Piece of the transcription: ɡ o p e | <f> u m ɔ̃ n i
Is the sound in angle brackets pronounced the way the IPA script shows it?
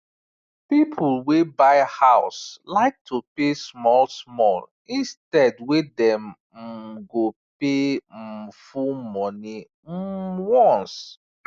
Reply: yes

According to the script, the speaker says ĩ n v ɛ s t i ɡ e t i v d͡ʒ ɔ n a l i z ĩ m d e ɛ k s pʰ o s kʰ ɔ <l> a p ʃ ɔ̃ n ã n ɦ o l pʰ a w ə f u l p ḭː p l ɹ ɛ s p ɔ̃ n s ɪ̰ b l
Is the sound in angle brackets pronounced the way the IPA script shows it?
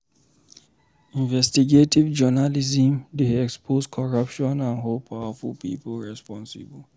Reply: no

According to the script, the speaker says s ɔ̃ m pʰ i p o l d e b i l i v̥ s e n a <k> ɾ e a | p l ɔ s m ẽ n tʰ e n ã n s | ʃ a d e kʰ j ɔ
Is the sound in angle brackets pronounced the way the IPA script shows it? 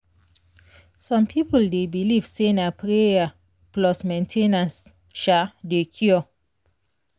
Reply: no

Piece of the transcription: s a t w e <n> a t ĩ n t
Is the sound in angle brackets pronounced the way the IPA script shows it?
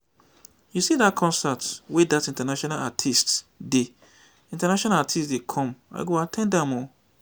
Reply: no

